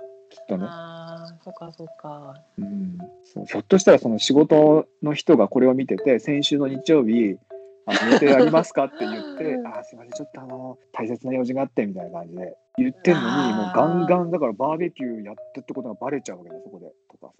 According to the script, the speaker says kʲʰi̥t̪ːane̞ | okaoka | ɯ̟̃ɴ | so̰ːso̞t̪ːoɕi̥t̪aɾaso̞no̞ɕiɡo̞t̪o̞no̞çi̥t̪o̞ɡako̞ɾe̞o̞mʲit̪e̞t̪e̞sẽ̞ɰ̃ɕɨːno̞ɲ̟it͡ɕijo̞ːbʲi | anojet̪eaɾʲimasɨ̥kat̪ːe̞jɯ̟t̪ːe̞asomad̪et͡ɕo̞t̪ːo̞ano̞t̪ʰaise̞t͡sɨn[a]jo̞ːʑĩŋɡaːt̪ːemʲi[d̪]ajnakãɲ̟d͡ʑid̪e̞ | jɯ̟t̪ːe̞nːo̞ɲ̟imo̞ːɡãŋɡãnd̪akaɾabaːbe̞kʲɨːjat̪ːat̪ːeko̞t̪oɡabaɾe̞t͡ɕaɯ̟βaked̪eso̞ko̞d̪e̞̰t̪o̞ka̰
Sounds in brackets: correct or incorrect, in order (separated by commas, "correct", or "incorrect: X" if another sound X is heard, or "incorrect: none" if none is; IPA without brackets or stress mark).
correct, incorrect: t̪